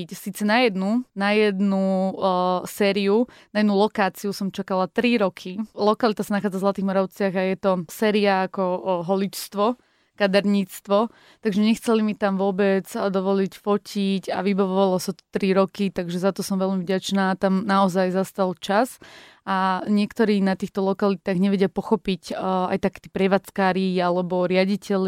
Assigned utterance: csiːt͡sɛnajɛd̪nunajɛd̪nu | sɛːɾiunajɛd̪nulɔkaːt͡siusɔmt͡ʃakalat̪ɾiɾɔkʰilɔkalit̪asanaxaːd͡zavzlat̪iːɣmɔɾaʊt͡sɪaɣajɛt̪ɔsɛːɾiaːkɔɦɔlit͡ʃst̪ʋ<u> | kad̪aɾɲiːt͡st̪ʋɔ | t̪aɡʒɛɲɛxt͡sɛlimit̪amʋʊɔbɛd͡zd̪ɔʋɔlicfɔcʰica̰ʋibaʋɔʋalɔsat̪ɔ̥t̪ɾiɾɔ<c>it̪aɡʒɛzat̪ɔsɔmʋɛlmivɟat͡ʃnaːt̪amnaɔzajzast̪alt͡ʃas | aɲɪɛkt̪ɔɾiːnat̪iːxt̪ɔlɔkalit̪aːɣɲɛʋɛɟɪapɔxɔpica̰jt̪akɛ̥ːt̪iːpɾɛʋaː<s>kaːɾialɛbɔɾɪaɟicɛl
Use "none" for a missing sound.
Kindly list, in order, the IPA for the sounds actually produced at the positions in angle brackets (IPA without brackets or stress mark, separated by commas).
ɔ, k, t͡s